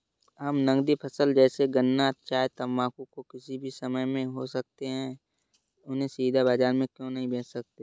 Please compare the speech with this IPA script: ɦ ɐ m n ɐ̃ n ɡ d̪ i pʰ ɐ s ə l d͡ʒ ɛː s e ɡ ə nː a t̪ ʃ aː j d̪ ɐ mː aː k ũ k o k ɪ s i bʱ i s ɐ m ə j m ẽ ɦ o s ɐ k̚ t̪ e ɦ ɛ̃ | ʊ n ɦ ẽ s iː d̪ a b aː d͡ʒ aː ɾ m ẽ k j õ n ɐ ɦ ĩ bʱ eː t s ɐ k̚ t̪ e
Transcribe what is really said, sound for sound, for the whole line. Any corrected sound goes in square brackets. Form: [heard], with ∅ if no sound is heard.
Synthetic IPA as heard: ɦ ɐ m n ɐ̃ [ŋ] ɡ d̪ i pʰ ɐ s ə l d͡ʒ ɛː s e ɡ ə nː a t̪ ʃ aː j [t̪] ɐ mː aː k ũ k o k ɪ s i bʱ i s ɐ m ə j m ẽ ɦ o s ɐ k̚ t̪ e ɦ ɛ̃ | ʊ n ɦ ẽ s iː d̪ a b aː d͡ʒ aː ɾ m ẽ k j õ n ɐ ɦ ĩ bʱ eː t s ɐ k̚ t̪ e